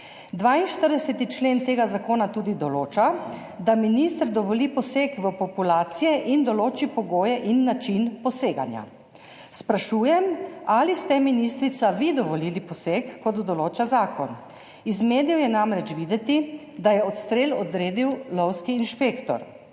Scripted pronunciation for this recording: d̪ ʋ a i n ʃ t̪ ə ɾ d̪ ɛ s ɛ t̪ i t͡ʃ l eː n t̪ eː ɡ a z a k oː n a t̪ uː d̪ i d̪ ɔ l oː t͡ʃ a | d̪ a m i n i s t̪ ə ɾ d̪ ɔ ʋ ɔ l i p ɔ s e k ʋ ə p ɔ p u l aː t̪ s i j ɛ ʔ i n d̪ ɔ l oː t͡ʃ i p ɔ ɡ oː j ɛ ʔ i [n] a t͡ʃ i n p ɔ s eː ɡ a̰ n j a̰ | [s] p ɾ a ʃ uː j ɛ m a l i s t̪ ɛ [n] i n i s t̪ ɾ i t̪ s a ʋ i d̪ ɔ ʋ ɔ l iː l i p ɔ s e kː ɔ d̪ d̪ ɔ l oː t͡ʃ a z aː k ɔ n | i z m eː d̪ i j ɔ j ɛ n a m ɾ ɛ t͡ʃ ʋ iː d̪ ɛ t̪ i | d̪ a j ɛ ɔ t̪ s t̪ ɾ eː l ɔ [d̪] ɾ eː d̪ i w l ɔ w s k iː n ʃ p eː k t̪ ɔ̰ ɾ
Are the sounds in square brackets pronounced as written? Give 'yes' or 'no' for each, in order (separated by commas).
no, yes, no, yes